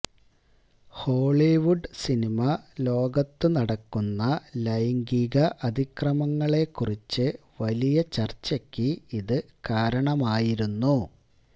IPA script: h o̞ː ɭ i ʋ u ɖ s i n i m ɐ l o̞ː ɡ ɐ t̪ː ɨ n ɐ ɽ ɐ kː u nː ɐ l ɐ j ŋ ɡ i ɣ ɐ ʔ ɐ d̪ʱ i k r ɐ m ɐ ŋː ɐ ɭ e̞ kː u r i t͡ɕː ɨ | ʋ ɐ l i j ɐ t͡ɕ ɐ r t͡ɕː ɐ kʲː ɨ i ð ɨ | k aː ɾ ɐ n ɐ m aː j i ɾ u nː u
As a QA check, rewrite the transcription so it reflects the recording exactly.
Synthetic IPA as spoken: h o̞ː ɭ i ʋ u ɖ s i n i m ɐ l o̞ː ɡ ɐ t̪ː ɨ n ɐ ɽ ɐ kː u nː ɐ l ɐ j ŋ ɡ i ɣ ɐ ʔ ɐ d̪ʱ i k r ɐ m ɐ ŋː ɐ ɭ e̞ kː u r i t͡ɕː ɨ | ʋ ɐ l i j ɐ t͡ɕ ɐ r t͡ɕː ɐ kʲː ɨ i ð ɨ | k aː ɾ ɐ ɳ ɐ m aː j i ɾ u nː u